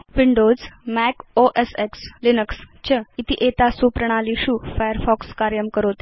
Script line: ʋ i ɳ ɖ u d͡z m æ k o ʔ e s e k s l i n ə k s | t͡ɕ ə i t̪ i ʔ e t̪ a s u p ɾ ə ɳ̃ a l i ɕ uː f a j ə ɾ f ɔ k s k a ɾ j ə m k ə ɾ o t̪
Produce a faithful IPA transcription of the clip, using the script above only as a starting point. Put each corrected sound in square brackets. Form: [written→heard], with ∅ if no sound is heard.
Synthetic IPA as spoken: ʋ i ɳ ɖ [u→o] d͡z m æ k o ʔ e s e k s l i n ə k s | t͡ɕ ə i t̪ i ʔ e t̪ a s u p ɾ ə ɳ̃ a l i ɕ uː f a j ə ɾ f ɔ k s k a ɾ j ə m k ə ɾ o t̪